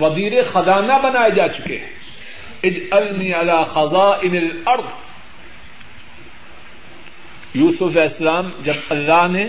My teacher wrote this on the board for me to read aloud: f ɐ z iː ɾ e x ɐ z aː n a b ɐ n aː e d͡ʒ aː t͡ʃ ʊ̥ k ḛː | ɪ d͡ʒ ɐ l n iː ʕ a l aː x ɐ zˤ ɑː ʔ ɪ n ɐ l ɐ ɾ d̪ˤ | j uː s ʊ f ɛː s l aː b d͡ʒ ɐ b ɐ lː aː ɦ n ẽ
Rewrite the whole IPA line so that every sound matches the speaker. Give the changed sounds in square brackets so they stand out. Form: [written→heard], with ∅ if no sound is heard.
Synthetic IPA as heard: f ɐ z iː ɾ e x ɐ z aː n a b ɐ n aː e d͡ʒ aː t͡ʃ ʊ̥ k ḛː | ɪ d͡ʒ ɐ l n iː ʕ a l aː x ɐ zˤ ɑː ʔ ɪ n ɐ l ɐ ɾ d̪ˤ | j uː s ʊ f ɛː s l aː [b→m] d͡ʒ ɐ b ɐ lː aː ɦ n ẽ